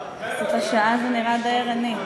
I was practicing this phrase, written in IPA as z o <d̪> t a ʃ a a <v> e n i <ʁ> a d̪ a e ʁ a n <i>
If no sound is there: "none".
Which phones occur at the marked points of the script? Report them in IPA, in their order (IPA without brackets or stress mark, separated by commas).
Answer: none, z, ʁ, i